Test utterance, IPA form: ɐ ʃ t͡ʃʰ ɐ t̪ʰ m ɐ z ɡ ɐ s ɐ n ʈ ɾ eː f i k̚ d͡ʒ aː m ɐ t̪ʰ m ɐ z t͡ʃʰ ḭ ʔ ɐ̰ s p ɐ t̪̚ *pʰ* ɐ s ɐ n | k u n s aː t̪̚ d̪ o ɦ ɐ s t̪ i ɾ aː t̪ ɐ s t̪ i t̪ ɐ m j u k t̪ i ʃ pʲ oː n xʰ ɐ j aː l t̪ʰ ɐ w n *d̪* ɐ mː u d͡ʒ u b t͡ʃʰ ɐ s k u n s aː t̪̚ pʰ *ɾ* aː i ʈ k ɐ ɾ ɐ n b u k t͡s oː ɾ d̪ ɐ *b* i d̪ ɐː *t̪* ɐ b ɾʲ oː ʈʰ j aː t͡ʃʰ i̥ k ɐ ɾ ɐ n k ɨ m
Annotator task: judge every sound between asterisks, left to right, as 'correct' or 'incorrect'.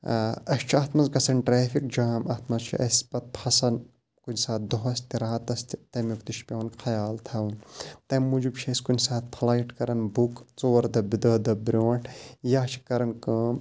correct, incorrect, incorrect, correct, incorrect

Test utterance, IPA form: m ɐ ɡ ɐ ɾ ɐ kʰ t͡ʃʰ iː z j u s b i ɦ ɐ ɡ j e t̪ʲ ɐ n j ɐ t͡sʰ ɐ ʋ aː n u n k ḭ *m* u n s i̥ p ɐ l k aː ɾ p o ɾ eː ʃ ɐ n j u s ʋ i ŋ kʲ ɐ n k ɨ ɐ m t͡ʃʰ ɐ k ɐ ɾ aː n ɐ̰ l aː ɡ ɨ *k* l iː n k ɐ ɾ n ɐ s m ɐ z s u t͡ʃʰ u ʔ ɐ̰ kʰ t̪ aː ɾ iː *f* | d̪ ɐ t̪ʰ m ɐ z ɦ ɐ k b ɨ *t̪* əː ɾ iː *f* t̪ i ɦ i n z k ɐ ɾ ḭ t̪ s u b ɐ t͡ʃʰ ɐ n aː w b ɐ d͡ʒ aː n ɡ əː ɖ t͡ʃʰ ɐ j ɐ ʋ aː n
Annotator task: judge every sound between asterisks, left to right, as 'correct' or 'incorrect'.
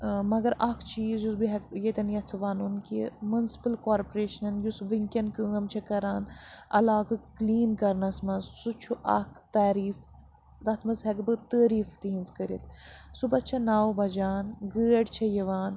correct, correct, correct, correct, correct

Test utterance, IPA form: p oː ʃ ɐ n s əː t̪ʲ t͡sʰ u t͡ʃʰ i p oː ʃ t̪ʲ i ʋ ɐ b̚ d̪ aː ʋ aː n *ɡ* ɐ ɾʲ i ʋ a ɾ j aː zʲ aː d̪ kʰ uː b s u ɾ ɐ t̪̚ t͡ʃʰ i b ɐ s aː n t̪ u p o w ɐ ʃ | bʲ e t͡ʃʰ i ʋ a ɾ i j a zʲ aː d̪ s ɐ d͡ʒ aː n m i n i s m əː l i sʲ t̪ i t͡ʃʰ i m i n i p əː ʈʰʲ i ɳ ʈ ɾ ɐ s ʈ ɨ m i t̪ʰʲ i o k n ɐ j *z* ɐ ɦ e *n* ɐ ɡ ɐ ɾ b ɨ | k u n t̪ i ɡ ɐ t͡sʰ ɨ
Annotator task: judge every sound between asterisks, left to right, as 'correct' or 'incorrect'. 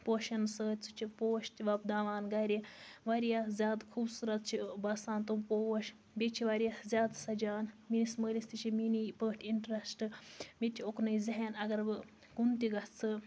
correct, correct, correct

